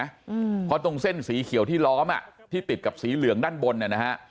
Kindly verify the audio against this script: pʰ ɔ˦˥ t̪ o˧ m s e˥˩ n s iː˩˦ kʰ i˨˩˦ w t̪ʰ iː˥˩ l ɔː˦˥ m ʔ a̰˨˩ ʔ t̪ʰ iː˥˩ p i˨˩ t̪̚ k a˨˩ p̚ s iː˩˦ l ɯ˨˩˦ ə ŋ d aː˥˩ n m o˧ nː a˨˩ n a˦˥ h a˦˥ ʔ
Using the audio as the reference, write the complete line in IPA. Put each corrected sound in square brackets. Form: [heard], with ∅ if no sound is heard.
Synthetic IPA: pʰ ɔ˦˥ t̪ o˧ [ŋ] s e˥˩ n s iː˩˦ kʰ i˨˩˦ w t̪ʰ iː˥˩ l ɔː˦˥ m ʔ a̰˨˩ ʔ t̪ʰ iː˥˩ p i˨˩ t̪̚ k a˨˩ p̚ s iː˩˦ l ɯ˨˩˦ ə ŋ d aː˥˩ n [b] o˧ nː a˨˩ n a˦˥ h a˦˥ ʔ